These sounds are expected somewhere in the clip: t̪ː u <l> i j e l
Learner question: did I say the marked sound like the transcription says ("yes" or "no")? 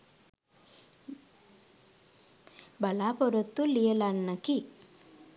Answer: yes